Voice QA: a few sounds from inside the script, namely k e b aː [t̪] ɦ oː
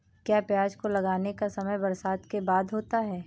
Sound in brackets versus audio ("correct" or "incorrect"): incorrect